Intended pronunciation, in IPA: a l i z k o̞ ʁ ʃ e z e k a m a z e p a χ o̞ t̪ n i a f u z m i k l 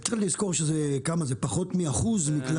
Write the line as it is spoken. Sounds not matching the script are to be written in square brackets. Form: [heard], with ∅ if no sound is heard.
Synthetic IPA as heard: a l i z k o̞ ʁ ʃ e z e k a m a z e p a χ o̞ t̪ [m] i a [χ] u z m i k l